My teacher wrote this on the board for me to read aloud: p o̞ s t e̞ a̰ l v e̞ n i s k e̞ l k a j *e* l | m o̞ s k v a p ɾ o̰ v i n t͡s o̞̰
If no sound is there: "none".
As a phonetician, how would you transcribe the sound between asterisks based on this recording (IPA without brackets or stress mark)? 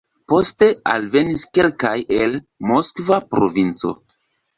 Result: e